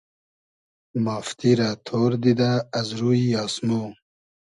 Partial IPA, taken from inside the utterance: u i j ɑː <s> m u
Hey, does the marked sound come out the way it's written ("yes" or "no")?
yes